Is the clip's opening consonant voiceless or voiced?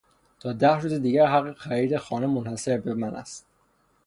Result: voiceless